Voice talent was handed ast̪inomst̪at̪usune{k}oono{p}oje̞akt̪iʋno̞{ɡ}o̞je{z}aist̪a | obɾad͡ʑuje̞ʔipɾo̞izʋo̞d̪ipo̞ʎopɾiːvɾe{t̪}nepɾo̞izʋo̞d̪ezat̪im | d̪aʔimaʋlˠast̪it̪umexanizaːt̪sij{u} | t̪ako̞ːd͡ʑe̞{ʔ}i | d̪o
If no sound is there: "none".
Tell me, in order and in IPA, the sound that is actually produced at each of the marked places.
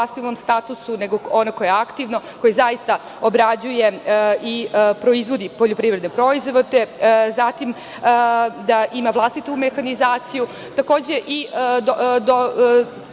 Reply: ɡ, k, k, z, d̪, u, ʔ

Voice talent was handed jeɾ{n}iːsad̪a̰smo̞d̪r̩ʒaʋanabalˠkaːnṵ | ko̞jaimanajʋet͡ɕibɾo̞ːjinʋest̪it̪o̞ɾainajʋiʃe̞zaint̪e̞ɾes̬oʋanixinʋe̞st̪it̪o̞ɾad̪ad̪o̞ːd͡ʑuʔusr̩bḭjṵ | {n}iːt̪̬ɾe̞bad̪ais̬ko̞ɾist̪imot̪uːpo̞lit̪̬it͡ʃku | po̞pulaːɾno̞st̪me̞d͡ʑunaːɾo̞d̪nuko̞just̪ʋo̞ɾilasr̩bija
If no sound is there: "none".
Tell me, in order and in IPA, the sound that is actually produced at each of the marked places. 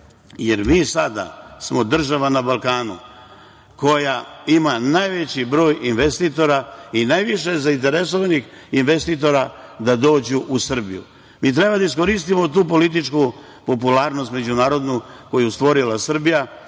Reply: m, m

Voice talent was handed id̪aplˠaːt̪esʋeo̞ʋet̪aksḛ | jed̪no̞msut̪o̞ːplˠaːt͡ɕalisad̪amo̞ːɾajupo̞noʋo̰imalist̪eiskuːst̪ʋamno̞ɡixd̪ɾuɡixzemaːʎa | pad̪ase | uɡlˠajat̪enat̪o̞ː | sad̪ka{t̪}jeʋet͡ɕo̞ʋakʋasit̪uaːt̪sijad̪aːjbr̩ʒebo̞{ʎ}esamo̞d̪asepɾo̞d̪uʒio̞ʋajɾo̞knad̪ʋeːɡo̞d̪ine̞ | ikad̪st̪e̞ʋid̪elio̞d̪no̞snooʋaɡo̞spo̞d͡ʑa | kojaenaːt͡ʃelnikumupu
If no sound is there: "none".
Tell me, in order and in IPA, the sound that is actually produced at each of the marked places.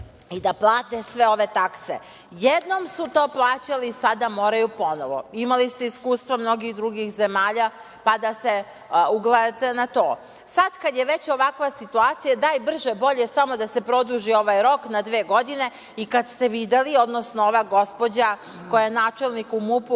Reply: d̪, ʎ

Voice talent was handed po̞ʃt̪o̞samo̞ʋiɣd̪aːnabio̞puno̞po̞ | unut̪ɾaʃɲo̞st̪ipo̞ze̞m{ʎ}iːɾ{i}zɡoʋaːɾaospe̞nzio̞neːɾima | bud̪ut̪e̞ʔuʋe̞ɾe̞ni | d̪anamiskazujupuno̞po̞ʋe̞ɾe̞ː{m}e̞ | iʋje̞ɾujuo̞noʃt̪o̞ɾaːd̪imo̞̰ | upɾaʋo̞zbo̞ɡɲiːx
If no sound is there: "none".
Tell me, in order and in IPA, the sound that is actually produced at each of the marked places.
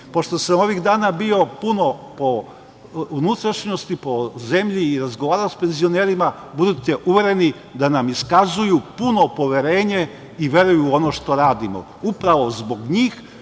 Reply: ʎ, a, ɲ

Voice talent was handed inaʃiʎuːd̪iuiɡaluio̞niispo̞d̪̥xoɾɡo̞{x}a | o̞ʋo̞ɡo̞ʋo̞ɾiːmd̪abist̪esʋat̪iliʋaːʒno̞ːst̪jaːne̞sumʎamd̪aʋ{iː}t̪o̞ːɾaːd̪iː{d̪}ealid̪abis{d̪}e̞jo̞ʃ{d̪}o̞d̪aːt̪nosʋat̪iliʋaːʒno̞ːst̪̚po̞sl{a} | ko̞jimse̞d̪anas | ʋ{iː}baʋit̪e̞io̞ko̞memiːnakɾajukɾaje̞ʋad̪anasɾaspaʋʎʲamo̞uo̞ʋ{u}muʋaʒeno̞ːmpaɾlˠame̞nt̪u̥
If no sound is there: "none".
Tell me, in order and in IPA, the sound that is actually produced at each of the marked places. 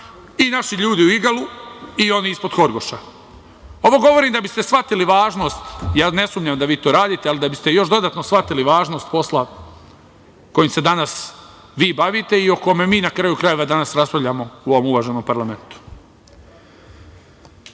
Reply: ʃ, iː, t̪, t̪, d̪, a, iː, o

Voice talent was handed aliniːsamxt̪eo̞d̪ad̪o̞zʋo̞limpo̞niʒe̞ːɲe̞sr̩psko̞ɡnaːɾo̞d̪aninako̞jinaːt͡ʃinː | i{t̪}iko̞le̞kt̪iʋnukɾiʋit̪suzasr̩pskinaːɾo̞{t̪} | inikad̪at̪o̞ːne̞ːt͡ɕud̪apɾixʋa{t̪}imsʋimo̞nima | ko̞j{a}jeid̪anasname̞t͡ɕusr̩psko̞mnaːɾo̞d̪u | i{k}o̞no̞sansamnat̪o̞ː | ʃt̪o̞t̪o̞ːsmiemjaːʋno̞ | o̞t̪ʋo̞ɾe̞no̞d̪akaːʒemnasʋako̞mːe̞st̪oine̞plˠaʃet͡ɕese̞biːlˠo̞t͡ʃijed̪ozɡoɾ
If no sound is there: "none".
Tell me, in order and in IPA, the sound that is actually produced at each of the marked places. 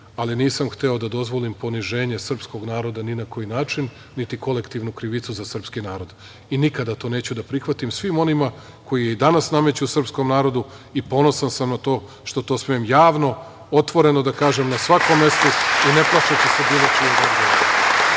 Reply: t̪, d̪, t̪, i, p

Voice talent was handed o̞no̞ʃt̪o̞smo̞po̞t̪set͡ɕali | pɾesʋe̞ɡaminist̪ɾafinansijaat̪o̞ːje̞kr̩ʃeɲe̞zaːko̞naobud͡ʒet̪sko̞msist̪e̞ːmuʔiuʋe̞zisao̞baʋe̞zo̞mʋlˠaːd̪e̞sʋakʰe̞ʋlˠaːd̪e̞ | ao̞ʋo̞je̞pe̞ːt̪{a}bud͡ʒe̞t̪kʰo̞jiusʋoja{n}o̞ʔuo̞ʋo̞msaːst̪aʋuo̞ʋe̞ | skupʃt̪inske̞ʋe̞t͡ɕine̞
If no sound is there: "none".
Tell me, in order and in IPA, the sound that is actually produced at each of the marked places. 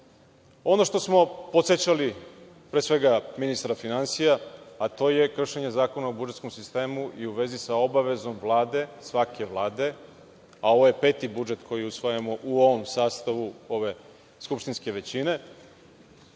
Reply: i, m

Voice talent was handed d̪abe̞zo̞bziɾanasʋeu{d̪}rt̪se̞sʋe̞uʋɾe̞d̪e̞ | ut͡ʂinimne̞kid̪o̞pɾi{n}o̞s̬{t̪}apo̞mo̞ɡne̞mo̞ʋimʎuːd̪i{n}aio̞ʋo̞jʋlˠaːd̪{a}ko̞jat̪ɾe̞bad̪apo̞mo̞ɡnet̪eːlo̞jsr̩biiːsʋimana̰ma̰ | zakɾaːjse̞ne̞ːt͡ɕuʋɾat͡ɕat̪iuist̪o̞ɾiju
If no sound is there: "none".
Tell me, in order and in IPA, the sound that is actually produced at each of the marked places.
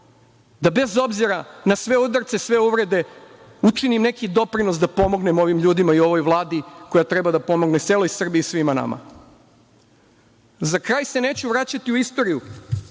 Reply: d̪, n, d̪, m, i

